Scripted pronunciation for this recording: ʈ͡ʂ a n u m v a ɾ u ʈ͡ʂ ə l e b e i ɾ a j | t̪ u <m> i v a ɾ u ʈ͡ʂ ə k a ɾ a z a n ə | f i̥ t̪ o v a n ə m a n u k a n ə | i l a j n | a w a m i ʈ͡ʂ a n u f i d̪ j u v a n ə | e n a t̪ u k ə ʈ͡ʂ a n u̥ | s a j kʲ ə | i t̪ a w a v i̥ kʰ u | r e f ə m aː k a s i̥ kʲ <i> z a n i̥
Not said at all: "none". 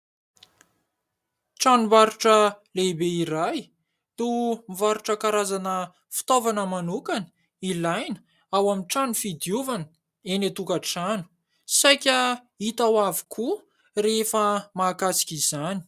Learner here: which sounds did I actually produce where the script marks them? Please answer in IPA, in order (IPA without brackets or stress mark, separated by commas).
m, i